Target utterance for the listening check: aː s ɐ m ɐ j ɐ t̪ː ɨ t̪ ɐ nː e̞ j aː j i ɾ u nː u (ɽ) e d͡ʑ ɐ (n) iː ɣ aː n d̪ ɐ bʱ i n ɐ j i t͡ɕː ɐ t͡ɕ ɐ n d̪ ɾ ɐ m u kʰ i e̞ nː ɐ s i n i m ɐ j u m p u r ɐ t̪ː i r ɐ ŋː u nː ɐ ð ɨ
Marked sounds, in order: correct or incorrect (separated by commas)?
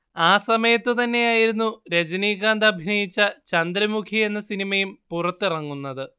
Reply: incorrect, correct